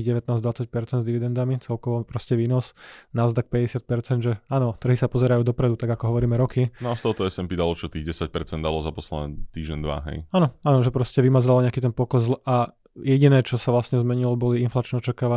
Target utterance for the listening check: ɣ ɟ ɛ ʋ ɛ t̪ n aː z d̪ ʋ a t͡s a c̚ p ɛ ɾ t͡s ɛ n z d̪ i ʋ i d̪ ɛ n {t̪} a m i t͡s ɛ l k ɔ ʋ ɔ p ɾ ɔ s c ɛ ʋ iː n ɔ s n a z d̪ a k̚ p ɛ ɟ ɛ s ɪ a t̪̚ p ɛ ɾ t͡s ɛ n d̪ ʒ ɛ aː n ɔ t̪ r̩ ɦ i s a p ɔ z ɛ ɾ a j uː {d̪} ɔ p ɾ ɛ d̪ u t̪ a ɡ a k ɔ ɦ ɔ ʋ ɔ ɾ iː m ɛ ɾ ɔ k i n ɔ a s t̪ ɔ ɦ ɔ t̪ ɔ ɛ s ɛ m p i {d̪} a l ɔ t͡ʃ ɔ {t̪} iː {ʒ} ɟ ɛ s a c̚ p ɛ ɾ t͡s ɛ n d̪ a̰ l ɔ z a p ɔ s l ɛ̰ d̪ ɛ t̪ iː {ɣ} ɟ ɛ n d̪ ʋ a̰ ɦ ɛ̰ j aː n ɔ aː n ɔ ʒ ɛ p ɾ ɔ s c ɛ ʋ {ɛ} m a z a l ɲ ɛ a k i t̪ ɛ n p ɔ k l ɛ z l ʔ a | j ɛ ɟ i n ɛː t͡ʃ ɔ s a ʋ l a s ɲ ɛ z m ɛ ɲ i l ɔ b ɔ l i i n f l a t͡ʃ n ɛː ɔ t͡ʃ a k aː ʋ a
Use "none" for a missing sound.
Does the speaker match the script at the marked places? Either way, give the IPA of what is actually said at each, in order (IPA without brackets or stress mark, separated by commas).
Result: d̪, d̪, d̪, t̪, ɣ, ʒ, i